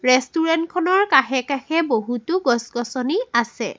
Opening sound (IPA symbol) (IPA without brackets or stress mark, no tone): ɹ